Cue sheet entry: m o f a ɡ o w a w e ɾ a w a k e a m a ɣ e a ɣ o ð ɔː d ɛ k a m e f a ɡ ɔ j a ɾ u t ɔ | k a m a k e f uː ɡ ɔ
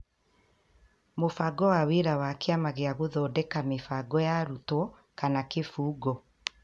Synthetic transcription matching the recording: m o f a ɡ ɔ w a w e ɾ a w a k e a m a ɣ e a ɣ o ð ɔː d ɛ k a m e f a ɡ ɔ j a ɾ u t ɔ | k a n a k e f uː ɡ ɔ